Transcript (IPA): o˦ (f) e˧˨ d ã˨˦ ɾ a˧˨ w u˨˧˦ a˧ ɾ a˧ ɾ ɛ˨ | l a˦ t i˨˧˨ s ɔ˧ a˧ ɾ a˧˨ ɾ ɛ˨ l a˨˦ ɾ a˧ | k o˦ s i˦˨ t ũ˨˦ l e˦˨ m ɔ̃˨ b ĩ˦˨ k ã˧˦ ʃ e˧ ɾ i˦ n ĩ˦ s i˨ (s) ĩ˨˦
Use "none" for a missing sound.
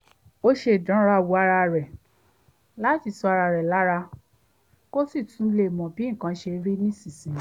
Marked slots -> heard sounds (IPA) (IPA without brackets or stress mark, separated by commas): ʃ, s